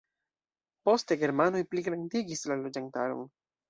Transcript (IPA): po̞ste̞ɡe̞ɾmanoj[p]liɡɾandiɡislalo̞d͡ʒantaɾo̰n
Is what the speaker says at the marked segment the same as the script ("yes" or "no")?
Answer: yes